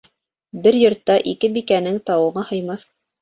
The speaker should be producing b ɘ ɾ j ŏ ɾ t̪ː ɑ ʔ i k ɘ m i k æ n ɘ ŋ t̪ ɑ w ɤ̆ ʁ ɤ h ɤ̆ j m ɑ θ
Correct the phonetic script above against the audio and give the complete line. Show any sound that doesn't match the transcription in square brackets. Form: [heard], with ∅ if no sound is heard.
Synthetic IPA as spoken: b ɘ ɾ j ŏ ɾ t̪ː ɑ ʔ i k ɘ [b] i k æ n ɘ ŋ t̪ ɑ w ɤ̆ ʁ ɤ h ɤ̆ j m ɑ θ